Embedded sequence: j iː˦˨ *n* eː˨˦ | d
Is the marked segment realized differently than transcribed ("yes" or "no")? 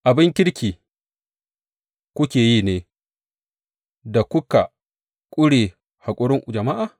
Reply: no